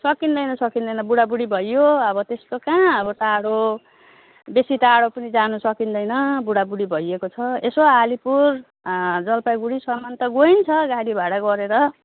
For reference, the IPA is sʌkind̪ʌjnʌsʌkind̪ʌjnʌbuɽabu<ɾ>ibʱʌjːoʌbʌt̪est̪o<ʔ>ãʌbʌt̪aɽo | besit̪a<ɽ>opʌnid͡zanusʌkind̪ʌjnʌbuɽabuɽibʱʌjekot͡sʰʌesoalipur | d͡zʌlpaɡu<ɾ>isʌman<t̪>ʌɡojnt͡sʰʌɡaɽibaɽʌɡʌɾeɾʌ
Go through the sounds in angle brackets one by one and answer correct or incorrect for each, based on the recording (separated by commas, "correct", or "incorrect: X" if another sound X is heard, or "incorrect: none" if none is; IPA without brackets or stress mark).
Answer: incorrect: ɽ, incorrect: k, correct, incorrect: ɽ, correct